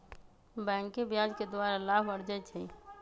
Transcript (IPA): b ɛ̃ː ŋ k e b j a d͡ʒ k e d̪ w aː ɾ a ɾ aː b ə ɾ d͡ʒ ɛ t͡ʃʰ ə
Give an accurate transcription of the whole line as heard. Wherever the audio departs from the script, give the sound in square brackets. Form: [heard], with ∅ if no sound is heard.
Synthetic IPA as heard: b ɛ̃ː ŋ k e b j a d͡ʒ k e d̪ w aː ɾ a [l] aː b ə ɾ d͡ʒ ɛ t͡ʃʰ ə

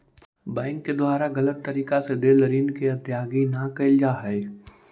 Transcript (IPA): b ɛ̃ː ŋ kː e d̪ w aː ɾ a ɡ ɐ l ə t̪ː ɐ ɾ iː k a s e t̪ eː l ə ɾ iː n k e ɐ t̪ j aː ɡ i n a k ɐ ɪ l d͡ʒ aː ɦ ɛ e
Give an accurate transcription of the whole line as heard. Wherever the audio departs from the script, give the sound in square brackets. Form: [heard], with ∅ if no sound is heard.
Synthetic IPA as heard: b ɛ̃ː ŋ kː e d̪ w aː ɾ a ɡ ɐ l ə t̪ː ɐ ɾ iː k a s e [d̪] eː l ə ɾ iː n k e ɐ t̪ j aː ɡ i n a k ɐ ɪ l d͡ʒ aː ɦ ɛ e

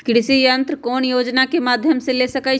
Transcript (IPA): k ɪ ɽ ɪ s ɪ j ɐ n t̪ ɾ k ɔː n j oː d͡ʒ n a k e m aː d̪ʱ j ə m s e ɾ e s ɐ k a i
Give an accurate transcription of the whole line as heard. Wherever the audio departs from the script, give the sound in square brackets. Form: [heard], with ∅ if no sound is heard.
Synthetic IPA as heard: k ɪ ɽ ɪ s [i] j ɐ n t̪ ɾ k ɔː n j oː d͡ʒ n a k e m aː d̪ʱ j ə m s e [l] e s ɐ k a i

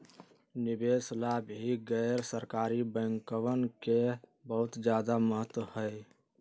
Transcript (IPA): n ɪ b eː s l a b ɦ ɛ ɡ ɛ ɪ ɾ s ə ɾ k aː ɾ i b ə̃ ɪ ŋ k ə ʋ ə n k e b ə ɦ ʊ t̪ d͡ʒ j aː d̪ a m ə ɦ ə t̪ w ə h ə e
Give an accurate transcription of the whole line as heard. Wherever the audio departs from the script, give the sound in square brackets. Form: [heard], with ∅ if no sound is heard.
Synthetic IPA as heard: n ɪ b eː s l a b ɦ [i] ɡ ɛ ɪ ɾ s ə ɾ k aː ɾ i b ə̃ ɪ ŋ k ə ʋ ə n k e b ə ɦ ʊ t̪ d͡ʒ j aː d̪ a m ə ɦ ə t̪ w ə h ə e

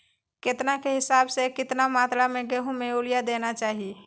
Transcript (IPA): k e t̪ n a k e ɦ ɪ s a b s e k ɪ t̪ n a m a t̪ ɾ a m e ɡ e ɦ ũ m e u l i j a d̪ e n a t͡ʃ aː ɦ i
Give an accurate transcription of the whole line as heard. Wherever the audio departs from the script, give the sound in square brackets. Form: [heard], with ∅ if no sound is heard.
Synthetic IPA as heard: k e t̪ n a k e ɦ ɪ s a b s e k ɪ t̪ n a m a t̪ ɾ a m e ɡ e ɦ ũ m e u l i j a d̪ e n a t͡ʃ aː ɦ i

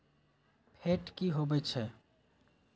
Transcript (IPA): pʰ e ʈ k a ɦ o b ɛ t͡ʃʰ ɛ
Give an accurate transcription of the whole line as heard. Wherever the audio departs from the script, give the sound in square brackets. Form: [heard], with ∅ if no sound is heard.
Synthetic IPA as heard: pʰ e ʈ k [i] ɦ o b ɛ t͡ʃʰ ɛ

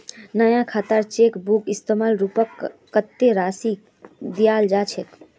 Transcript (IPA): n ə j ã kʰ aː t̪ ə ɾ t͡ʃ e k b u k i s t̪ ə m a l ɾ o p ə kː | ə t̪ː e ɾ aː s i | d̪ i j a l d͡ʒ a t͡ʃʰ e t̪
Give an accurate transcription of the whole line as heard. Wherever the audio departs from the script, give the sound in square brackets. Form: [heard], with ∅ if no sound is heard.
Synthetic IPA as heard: n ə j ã kʰ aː t̪ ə ɾ t͡ʃ e k b u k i s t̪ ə m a l ɾ [u] p ə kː | ə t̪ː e ɾ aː s i | d̪ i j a l d͡ʒ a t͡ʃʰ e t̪

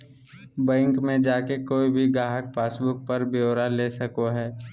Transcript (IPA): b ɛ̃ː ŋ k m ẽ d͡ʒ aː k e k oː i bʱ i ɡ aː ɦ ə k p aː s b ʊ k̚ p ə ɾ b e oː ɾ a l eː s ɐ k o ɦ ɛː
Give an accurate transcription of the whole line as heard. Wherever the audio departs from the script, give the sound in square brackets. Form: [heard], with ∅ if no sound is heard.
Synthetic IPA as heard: b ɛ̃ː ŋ k m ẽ d͡ʒ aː k e k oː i bʱ i ɡ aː ɦ ə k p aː s b ʊ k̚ p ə ɾ b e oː ɾ a l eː s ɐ k o ɦ ɛː

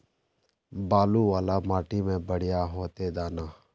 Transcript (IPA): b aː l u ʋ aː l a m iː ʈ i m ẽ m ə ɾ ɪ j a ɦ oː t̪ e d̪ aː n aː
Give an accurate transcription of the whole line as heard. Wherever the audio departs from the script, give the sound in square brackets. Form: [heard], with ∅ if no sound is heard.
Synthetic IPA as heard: b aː l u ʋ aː l a m [aː] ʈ i m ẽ [b] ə [ɽ] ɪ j a ɦ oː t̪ e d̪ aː n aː

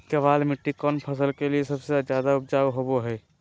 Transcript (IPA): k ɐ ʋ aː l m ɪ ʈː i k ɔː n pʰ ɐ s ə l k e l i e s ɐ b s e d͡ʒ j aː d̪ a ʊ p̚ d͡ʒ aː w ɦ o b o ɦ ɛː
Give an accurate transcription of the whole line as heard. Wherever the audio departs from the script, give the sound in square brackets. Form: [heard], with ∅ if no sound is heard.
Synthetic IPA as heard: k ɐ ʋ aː l m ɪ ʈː i k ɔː n pʰ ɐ s ə l k e l i e s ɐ b s e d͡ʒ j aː d̪ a ʊ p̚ d͡ʒ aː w ɦ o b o ɦ ɛː

